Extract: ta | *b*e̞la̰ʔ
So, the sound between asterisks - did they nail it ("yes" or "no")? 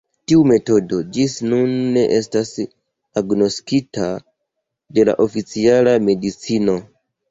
no